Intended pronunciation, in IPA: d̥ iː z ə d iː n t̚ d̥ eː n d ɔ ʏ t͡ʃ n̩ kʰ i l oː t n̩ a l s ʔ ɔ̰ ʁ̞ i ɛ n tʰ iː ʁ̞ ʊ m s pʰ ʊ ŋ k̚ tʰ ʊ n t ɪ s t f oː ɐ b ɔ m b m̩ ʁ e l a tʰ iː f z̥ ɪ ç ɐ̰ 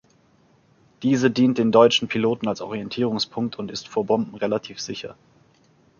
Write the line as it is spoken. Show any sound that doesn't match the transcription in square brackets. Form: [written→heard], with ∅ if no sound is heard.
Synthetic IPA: d̥ iː z ə d iː n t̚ d̥ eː n d ɔ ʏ t͡ʃ n̩ [kʰ→pʰ] i l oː t n̩ a l s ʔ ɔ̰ ʁ̞ i ɛ n tʰ iː ʁ̞ ʊ [m→ŋ] s pʰ ʊ ŋ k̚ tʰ ʊ n t ɪ s t f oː ɐ b ɔ m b m̩ ʁ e l a tʰ iː f z̥ ɪ ç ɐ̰